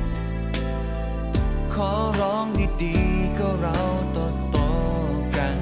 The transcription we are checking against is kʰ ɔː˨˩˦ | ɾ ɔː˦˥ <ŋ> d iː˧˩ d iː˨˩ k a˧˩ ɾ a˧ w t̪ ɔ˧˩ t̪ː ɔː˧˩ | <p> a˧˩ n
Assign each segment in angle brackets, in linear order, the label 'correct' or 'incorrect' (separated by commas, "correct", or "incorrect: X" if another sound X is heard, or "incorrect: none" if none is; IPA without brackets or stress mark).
correct, incorrect: k